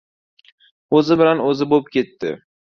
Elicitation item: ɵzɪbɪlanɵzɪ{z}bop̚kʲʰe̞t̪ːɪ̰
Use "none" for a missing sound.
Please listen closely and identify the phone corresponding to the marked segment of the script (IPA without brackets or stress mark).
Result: none